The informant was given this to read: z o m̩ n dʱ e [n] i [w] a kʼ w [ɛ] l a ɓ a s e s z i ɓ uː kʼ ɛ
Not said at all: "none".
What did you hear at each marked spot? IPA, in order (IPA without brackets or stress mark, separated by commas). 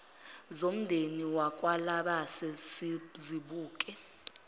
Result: n, w, a